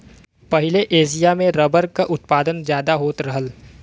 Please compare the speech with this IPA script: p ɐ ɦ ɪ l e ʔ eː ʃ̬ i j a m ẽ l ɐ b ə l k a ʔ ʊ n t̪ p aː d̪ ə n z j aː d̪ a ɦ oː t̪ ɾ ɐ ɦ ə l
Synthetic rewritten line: p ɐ ɦ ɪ l e ʔ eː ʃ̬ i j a m ẽ ɾ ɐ b ə ɾ k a ʔ ʊ t̪ p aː d̪ ə n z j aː d̪ a ɦ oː t̪ ɾ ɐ ɦ ə l